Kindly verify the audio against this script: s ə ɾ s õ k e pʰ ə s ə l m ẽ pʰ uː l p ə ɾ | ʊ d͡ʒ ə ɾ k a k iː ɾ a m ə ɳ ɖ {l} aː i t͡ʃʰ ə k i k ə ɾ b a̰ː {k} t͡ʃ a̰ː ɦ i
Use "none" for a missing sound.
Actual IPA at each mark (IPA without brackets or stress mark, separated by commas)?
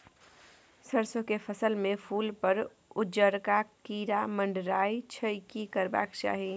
ɾ, k